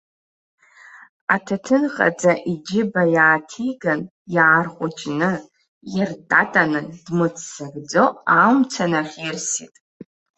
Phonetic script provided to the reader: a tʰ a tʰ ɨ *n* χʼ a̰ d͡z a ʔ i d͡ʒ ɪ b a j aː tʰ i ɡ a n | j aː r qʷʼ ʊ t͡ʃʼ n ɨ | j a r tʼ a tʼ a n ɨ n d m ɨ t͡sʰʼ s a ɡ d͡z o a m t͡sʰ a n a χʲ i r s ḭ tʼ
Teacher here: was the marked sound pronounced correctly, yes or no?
yes